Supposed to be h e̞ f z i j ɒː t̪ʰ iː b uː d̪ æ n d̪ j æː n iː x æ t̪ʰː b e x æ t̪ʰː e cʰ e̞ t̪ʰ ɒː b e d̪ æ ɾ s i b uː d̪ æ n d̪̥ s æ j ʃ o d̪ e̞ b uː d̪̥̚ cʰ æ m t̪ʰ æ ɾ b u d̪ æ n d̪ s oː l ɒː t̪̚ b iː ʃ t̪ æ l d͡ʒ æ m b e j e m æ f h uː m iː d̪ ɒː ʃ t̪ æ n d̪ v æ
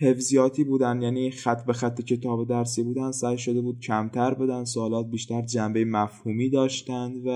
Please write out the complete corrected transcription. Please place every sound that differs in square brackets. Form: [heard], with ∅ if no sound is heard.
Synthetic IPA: h e̞ f z i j ɒː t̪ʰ iː b uː d̪ æ n d̪ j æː n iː x æ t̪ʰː b e x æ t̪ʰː e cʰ e̞ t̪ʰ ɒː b e d̪ æ ɾ s i b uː d̪ æ n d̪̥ s æ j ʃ o d̪ e̞ b uː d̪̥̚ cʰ æ m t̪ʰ æ ɾ b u d̪ æ n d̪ s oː l ɒː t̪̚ b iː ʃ t̪ æ [ɾ] d͡ʒ æ m b e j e m æ f h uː m iː d̪ ɒː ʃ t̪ æ n d̪ v æ